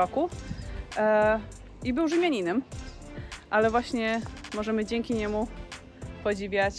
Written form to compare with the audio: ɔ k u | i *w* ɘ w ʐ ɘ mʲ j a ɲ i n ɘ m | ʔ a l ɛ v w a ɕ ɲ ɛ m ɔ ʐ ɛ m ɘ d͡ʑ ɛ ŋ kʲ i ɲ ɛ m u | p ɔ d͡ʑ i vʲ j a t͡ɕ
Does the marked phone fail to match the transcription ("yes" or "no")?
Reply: yes